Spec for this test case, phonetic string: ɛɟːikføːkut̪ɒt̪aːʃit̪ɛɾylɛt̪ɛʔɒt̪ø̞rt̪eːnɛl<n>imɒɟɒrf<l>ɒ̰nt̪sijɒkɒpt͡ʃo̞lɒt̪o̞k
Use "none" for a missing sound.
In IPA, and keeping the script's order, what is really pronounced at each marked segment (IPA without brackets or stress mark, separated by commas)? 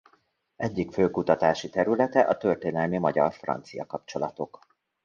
m, r